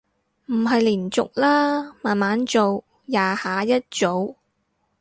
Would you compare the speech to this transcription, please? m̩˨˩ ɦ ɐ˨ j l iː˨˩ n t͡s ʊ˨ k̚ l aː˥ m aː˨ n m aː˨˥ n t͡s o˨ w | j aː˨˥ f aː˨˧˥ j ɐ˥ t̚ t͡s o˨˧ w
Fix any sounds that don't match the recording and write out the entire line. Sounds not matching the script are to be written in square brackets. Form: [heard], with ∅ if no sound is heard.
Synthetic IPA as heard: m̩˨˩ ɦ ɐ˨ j l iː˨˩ n t͡s ʊ˨ k̚ l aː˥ m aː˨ n m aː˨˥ n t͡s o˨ w | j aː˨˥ [h] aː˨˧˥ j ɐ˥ t̚ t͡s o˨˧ w